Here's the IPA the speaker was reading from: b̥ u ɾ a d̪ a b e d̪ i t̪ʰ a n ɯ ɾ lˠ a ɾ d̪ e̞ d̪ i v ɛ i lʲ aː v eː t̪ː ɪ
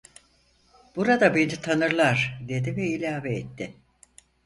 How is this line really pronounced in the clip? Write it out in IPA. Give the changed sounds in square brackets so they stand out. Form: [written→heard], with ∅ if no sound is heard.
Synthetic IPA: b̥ u ɾ a d̪ a b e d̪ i t̪ʰ a n ɯ ɾ lˠ a ɾ d̪ e̞ d̪ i v ɛ i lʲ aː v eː t̪ː ɪ